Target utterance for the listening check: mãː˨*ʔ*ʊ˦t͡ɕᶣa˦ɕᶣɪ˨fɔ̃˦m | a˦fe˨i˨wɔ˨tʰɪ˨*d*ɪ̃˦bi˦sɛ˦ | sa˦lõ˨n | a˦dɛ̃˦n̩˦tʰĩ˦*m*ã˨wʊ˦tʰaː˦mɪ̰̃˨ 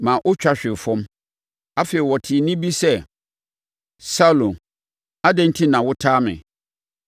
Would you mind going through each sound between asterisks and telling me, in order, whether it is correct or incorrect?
correct, incorrect, incorrect

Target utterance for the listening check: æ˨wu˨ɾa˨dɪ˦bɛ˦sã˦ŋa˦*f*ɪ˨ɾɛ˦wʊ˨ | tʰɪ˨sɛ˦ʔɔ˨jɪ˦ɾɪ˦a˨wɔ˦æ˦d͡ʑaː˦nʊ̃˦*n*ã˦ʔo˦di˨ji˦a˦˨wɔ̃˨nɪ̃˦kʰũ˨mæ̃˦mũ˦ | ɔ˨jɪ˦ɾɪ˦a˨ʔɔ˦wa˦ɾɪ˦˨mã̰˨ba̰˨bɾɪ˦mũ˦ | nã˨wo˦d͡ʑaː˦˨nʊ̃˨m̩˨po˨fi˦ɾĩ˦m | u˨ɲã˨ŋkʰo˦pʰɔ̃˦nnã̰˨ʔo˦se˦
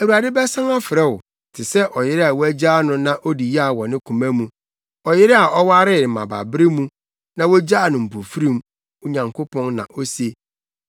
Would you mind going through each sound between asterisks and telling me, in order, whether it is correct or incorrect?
correct, correct

